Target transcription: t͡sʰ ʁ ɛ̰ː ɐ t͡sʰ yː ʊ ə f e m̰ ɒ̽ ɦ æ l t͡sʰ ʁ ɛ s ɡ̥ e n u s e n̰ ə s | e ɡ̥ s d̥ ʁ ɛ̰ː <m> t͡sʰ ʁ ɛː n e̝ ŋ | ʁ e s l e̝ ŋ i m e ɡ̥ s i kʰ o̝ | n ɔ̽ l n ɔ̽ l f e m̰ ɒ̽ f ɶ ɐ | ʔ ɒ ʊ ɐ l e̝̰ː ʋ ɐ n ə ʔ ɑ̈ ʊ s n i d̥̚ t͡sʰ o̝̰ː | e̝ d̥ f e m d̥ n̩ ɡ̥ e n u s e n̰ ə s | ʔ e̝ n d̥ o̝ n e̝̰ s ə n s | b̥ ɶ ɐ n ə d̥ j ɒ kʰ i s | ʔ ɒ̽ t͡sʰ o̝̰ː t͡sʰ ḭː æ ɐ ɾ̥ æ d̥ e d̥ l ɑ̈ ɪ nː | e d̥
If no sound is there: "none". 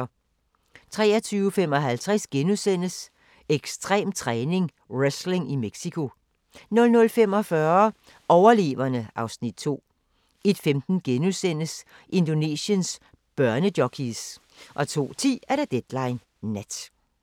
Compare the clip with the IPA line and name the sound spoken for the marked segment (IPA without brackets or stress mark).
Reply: m